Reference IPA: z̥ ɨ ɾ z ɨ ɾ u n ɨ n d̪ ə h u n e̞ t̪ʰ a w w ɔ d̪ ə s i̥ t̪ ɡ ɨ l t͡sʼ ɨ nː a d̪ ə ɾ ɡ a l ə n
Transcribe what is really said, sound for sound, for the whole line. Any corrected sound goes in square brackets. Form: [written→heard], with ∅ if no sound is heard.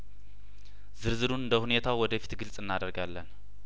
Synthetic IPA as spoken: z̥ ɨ ɾ z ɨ ɾ u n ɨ n d̪ ə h u n e̞ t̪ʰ a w w ɔ d̪ ə [s→f] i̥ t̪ ɡ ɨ l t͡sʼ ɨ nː a d̪ ə ɾ ɡ a [l→lː] ə n